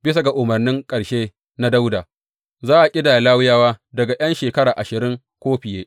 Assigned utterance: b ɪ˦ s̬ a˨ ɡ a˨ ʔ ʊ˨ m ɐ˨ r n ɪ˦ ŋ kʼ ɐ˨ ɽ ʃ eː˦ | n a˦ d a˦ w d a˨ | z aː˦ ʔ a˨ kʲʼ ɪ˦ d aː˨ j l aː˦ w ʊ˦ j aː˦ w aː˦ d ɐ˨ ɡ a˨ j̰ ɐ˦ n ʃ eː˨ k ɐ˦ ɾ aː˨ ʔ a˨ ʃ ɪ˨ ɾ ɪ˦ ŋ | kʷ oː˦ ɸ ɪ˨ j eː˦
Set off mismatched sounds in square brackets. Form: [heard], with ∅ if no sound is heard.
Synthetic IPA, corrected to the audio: b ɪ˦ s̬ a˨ ɡ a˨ ʔ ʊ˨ m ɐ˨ r n ɪ˦ ŋ kʼ ɐ˨ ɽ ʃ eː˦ | n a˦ d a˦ w d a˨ | z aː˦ ʔ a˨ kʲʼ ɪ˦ d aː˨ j l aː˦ w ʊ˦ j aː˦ w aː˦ d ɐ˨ ɡ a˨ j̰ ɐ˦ n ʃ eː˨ k ɐ˦ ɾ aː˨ ʔ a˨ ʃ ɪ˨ ɾ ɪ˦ ŋ | kʷ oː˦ ɸ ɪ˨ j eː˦

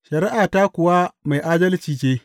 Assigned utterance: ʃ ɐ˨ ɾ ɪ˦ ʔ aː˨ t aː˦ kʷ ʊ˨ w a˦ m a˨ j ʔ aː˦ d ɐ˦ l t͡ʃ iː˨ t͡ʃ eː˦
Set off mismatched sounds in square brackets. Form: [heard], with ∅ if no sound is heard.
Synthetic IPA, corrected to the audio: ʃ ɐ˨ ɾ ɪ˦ ʔ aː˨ t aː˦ kʷ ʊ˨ w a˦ m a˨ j ʔ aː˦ d ɐ˦ l t͡ʃ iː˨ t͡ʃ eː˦

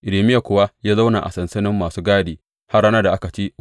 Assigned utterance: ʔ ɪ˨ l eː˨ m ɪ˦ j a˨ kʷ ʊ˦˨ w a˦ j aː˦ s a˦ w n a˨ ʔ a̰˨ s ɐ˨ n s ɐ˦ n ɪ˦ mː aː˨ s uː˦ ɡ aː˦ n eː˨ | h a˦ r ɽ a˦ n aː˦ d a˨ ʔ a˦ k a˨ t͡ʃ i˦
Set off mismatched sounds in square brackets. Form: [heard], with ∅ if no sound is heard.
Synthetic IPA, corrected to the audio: ʔ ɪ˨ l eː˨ m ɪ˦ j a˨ kʷ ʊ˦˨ w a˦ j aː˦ [z] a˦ w n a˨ ʔ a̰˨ s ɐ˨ n s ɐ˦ n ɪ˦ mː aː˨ s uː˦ ɡ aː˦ [d] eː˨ | h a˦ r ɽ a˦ n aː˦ d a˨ ʔ a˦ k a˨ t͡ʃ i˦

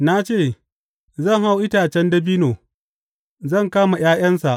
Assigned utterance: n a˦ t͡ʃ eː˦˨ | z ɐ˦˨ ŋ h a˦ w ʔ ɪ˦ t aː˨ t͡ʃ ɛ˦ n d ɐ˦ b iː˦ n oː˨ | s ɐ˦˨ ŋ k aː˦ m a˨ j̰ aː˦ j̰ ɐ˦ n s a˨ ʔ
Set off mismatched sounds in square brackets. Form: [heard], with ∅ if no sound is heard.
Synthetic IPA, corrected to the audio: n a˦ t͡ʃ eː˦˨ | z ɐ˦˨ ŋ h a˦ w ʔ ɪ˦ t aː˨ t͡ʃ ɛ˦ n d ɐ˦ b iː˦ n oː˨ | [z] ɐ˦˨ ŋ k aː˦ m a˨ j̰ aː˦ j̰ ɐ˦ n s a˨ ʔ

